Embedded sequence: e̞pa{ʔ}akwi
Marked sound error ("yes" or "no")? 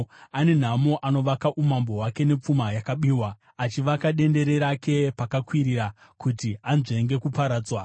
yes